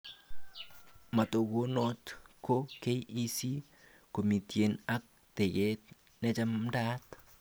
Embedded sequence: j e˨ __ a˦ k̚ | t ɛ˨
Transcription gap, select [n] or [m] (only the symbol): n